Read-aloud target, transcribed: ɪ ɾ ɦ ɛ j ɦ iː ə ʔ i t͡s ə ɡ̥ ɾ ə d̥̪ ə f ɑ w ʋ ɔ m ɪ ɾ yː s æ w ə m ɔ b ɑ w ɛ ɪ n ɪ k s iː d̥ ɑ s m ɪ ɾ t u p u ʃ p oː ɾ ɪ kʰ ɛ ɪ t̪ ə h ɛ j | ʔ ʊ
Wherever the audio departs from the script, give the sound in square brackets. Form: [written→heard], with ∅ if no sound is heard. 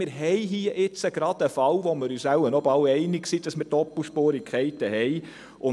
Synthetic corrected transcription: ɪ ɾ ɦ ɛ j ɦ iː ə ʔ [i→ɪ] t͡s ə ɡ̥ ɾ [ə→ɑ] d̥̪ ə f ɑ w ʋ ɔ m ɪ ɾ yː s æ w ə [m→n] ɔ b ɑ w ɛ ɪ n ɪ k s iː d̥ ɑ s m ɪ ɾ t [u→ɔ] p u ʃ p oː ɾ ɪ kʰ ɛ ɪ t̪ ə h ɛ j | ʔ ʊ